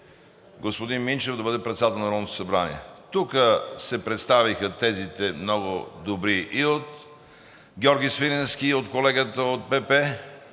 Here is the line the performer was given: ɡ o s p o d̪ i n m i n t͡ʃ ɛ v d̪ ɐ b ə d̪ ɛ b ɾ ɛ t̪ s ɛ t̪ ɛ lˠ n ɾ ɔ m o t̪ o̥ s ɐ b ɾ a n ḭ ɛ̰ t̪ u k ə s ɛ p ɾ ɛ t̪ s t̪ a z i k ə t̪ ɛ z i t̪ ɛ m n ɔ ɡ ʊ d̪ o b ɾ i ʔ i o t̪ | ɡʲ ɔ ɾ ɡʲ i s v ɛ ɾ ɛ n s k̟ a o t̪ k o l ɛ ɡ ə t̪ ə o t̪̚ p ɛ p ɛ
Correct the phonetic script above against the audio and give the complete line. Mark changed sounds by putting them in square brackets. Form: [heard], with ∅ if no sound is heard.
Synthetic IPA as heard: ɡ o s p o d̪ i n m i n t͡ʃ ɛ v d̪ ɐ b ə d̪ ɛ [p] ɾ ɛ t̪ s [a] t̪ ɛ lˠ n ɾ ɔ [n] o t̪ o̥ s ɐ b ɾ a n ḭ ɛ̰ t̪ u k ə s ɛ p ɾ ɛ t̪ s t̪ a [v] i [x] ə t̪ ɛ z i t̪ ɛ m n ɔ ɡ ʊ d̪ o b ɾ i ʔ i o t̪ | ɡʲ ɔ ɾ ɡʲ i s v [i] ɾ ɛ n s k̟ [i] o t̪ k o l ɛ ɡ ə t̪ ə o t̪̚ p ɛ p ɛ